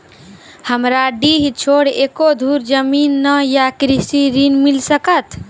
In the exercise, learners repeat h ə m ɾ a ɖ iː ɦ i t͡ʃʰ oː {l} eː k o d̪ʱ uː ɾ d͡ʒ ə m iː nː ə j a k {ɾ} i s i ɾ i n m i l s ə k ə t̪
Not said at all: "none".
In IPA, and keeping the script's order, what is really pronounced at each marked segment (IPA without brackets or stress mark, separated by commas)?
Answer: ɽ, ɾ